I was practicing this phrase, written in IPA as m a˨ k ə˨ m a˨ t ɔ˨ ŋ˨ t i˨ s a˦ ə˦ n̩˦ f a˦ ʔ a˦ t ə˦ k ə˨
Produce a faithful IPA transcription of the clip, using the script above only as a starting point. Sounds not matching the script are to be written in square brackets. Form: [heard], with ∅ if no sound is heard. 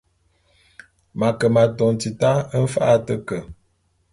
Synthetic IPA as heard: m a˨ k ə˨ m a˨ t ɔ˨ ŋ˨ t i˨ [t] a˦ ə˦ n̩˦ f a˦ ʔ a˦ t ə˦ k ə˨